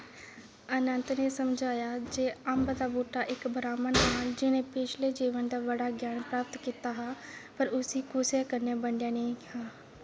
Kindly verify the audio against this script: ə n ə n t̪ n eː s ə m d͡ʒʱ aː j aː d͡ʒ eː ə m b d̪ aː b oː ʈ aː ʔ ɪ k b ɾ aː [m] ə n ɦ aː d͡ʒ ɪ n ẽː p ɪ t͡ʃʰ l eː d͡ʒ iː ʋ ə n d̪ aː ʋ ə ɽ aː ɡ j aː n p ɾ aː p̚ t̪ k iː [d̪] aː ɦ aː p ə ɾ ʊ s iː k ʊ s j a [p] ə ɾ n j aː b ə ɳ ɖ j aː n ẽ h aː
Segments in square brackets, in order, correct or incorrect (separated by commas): correct, incorrect, incorrect